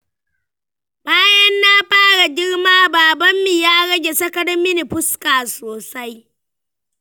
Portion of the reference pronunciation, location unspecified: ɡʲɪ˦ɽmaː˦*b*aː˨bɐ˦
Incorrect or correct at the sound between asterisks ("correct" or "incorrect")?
correct